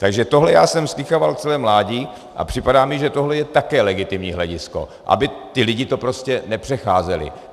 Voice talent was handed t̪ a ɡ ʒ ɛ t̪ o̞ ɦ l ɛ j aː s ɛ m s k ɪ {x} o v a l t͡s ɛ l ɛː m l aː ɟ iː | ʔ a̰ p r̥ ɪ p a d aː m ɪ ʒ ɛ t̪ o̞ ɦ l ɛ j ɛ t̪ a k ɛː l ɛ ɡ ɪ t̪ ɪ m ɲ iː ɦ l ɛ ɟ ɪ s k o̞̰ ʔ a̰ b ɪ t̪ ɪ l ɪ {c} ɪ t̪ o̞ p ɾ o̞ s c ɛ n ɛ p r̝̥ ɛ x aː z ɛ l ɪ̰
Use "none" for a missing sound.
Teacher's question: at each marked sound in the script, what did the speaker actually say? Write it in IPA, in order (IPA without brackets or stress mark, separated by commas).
x, ɟ